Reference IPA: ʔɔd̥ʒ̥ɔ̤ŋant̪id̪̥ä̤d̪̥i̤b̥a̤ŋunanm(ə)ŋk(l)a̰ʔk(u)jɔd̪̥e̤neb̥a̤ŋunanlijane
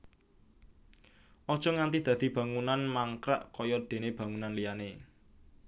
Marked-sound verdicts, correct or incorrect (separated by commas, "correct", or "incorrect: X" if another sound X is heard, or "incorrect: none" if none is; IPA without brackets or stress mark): incorrect: a, incorrect: ɾ, incorrect: ɔ